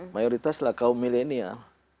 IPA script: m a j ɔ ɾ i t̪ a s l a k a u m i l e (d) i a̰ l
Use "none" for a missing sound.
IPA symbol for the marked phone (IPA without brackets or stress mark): n